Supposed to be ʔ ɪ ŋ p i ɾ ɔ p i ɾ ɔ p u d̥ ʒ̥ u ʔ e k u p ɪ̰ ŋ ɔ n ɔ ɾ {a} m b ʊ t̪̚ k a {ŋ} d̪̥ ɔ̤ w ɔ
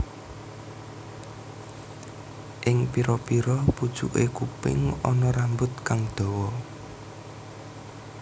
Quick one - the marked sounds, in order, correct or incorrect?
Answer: correct, correct

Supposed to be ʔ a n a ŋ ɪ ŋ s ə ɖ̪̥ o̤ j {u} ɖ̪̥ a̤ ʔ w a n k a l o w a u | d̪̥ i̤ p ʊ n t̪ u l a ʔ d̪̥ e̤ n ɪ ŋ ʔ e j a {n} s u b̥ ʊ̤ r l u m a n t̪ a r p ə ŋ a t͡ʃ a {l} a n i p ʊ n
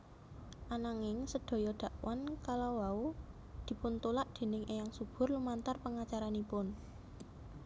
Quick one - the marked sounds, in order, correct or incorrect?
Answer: incorrect: ɔ, incorrect: ŋ, incorrect: ɾ

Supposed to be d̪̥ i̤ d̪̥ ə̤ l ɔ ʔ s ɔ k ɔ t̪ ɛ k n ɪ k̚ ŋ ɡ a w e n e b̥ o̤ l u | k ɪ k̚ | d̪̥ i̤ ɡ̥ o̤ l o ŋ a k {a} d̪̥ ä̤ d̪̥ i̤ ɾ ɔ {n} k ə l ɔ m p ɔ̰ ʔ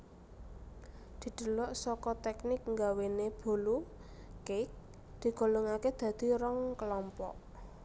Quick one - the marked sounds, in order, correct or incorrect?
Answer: incorrect: e, incorrect: ŋ

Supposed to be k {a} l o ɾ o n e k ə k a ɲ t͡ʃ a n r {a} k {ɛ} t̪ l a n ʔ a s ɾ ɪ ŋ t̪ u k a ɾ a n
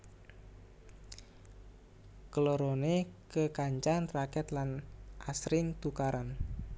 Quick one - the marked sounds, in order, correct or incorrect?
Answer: incorrect: ə, correct, correct

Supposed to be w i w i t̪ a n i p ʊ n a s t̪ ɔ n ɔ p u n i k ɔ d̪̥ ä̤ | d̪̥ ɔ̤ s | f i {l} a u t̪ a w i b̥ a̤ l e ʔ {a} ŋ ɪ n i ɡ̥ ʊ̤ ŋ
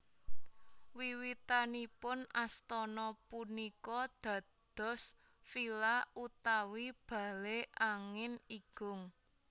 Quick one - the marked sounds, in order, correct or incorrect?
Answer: correct, correct

